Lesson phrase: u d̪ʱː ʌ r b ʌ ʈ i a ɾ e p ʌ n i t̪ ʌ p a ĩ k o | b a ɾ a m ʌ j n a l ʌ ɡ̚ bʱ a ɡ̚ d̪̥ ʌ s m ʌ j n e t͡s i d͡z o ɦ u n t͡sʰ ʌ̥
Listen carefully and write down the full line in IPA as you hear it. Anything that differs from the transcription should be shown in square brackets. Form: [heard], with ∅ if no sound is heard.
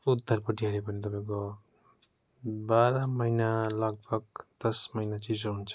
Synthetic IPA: u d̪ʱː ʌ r [p] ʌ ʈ i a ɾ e p ʌ n i t̪ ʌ p a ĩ k o | b a ɾ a m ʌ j n a l ʌ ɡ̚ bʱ [ʌ] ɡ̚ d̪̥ ʌ s m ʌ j n [a] t͡s i d͡z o ɦ u n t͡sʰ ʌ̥